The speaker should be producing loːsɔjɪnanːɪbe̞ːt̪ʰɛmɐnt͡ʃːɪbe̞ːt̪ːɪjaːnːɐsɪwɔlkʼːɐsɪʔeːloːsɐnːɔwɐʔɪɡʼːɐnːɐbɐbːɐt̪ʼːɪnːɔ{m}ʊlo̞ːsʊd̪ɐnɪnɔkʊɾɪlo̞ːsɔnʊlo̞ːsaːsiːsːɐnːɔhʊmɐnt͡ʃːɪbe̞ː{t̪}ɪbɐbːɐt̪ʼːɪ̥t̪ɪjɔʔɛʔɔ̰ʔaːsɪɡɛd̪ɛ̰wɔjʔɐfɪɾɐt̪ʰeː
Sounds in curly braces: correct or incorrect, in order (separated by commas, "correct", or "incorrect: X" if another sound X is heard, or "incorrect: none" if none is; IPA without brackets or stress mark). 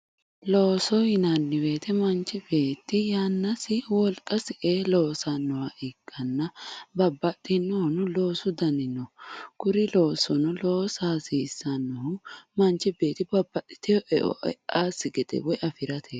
incorrect: n, correct